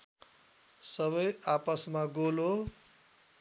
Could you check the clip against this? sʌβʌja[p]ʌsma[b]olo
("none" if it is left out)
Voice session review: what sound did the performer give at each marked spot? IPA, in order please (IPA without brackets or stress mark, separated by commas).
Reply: p, ɡ